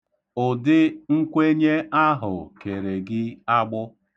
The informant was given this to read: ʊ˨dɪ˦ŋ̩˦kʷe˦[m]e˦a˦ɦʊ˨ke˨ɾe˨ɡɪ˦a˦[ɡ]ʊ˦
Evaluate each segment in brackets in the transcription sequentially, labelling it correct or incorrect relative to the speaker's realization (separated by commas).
incorrect, incorrect